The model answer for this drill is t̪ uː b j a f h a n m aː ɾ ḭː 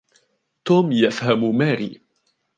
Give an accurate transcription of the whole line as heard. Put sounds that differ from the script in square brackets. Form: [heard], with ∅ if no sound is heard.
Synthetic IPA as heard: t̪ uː [m] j a f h a [m] m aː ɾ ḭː